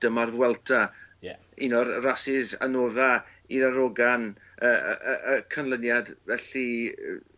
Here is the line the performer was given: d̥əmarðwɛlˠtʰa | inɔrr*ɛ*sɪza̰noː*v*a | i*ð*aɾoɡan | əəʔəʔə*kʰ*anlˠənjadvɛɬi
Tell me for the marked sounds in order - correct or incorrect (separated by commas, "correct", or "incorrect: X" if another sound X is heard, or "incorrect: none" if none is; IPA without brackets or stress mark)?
incorrect: a, incorrect: ð, correct, correct